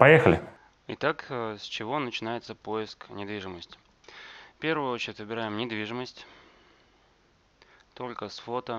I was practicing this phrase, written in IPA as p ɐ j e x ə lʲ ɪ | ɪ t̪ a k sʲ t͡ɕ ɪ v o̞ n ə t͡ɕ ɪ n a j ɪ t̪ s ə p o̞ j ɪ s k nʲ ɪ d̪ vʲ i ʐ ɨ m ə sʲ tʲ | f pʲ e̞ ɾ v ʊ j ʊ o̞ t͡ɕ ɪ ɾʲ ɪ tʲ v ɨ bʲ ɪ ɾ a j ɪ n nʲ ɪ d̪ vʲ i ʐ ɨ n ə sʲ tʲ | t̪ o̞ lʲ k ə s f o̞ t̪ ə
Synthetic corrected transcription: p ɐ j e x ə lʲ ɪ | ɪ t̪ a k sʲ t͡ɕ ɪ v o̞ n ə t͡ɕ ɪ n a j ɪ t̪ s ə p o̞ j ɪ s k nʲ ɪ d̪ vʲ i ʐ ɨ m ə sʲ tʲ | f pʲ e̞ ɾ v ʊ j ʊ o̞ t͡ɕ ɪ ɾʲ ɪ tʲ v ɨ bʲ ɪ ɾ a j ɪ m nʲ ɪ d̪ vʲ i ʐ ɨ m ə sʲ tʲ | t̪ o̞ lʲ k ə s f o̞ t̪ ə